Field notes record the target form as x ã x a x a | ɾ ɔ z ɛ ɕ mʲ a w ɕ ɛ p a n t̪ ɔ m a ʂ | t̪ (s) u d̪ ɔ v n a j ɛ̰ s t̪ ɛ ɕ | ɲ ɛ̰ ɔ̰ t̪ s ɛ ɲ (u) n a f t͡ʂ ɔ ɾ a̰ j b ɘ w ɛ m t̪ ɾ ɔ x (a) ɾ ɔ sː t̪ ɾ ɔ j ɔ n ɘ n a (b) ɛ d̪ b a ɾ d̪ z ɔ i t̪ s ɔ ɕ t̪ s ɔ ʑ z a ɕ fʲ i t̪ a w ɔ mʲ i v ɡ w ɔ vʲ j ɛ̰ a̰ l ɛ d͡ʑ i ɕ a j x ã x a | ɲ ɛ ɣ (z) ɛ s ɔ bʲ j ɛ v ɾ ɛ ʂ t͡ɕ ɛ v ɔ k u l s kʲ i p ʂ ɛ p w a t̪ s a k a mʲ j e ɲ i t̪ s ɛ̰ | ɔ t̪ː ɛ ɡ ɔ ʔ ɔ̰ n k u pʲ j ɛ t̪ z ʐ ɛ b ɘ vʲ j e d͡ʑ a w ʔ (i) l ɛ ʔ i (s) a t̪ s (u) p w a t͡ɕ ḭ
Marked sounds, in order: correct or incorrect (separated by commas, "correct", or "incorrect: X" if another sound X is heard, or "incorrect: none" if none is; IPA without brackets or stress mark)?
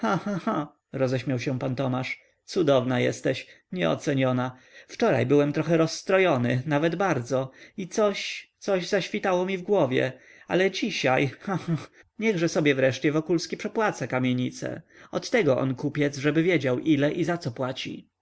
correct, incorrect: ɔ, incorrect: ɛ, incorrect: v, incorrect: ʐ, correct, incorrect: z, incorrect: ɔ